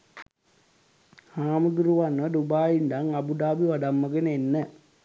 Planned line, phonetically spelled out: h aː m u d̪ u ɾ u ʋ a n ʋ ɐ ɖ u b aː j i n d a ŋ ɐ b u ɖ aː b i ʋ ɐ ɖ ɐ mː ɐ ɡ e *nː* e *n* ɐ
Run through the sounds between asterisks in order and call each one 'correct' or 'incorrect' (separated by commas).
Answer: incorrect, incorrect